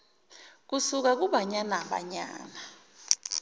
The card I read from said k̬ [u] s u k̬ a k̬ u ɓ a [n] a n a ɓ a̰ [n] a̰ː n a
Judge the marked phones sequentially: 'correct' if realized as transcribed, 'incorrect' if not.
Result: correct, incorrect: ɲ, incorrect: ɲ

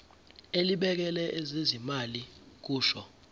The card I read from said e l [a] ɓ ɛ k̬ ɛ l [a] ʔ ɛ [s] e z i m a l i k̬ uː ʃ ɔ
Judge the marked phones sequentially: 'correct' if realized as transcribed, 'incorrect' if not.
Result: incorrect: i, incorrect: ɛ, incorrect: z

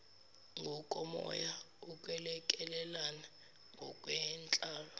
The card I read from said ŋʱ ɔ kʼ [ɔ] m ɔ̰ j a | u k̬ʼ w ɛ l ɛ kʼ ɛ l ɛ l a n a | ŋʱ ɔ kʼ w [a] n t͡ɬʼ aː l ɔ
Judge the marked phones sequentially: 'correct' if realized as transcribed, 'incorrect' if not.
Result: correct, incorrect: ɛ

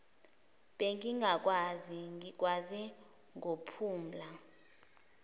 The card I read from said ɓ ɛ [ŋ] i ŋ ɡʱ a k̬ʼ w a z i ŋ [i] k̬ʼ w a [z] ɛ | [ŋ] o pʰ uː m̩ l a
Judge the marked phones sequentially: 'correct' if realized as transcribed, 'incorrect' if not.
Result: correct, correct, correct, correct

